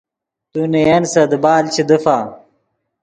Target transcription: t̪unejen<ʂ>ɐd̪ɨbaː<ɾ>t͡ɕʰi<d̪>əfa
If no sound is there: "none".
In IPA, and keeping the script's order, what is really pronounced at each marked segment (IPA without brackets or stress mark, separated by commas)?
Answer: s, l, d̪